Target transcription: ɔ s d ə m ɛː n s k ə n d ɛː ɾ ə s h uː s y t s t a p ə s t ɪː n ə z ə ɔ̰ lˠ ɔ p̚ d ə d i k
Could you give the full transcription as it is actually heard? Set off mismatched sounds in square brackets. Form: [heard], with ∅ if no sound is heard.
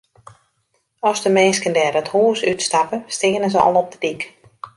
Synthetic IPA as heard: ɔ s d ə m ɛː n s k ə n d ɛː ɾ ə [t] h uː s y t s t a p ə s t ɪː n ə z ə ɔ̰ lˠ ɔ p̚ d ə d i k